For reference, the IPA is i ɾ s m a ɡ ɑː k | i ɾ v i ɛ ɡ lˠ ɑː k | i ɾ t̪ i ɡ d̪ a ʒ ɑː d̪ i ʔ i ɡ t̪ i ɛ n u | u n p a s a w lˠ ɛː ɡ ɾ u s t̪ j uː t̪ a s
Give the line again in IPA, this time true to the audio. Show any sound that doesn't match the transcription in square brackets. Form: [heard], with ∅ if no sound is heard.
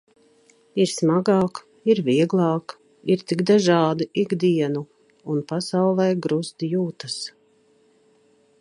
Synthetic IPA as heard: i ɾ s m a ɡ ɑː k | i ɾ v i ɛ ɡ lˠ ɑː k | i ɾ t̪ i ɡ d̪ a ʒ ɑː d̪ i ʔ i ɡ [d̪] i ɛ n u | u n p a s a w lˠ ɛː ɡ ɾ u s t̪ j uː t̪ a s